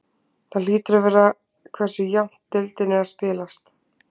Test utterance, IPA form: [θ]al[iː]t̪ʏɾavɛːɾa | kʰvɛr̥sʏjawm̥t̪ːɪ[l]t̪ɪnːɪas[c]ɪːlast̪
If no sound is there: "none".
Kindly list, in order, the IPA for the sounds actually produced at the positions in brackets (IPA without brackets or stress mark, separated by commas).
θ, iː, l, p